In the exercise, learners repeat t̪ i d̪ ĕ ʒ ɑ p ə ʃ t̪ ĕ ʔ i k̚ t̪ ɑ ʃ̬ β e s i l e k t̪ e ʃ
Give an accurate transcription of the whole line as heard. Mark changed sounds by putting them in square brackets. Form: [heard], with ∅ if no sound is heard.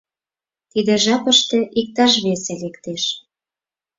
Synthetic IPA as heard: t̪ i d̪ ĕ ʒ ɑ p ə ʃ t̪ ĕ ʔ i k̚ t̪ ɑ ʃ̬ β e s [e] l e k t̪ e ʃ